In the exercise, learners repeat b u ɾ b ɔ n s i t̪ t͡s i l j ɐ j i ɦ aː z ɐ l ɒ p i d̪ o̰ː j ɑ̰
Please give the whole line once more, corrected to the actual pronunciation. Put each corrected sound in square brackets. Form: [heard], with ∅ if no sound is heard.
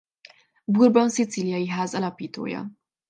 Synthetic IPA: b u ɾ b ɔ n s i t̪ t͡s i l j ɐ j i ɦ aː z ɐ l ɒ p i [t̪] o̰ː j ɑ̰